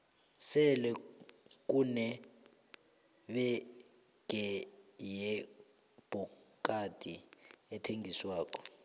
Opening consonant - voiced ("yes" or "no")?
no